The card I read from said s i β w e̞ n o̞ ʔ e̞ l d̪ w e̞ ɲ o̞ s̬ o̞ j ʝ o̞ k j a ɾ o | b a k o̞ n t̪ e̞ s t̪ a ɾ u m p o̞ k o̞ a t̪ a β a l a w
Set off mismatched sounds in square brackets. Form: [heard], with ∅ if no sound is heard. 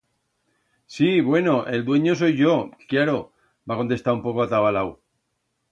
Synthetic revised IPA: s i β w e̞ n o̞ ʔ e̞ l d̪ w e̞ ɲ o̞ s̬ o̞ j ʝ o̞ k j a ɾ o | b a k o̞ n t̪ e̞ s t̪ a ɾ u m p o̞ k o̞ a t̪ a β a l a w